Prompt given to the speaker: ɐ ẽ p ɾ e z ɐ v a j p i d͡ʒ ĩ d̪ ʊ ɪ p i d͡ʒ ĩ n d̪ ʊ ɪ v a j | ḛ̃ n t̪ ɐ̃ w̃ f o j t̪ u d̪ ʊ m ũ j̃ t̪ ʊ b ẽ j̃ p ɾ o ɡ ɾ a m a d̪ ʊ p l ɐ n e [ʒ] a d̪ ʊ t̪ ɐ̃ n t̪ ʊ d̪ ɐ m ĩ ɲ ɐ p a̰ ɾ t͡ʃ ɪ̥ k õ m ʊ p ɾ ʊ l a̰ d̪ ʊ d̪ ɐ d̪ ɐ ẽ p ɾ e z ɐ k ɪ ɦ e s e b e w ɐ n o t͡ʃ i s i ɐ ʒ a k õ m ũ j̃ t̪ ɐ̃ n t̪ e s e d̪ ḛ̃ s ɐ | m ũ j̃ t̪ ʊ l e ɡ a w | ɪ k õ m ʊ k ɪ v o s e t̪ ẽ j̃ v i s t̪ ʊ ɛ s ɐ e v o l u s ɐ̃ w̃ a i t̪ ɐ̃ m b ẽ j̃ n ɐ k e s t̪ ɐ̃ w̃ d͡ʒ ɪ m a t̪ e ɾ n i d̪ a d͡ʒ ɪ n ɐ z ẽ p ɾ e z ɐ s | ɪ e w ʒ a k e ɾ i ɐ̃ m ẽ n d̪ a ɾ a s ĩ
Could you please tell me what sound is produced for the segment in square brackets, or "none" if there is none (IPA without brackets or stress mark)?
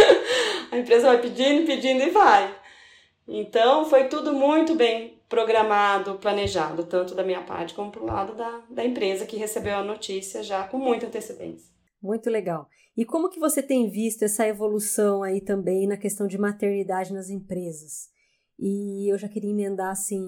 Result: ʒ